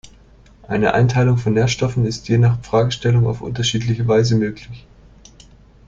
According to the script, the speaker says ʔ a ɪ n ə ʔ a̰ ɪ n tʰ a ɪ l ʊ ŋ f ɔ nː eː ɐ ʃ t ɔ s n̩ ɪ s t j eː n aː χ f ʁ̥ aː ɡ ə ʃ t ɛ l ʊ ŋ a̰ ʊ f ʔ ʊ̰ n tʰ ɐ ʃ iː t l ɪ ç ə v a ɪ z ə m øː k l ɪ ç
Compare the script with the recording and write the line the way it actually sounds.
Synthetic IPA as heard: ʔ a ɪ n ə ʔ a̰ ɪ n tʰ a ɪ l ʊ ŋ f ɔ nː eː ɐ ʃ t ɔ f n̩ ɪ s t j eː n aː χ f ʁ̥ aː ɡ ə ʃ t ɛ l ʊ ŋ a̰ ʊ f ʔ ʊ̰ n t ɐ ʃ iː t l ɪ ç ə v a ɪ z ə m øː k l ɪ ç